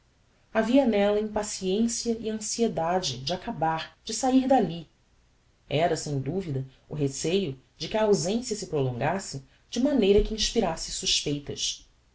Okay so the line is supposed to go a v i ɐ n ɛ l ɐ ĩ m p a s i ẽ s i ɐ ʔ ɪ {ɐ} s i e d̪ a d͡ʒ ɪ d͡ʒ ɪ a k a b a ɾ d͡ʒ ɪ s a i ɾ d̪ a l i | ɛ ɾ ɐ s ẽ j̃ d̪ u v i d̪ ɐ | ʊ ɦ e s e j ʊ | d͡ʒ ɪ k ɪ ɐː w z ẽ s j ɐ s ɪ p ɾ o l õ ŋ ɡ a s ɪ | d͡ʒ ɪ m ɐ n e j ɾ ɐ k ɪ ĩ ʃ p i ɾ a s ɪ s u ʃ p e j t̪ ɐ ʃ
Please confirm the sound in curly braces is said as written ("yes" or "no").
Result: no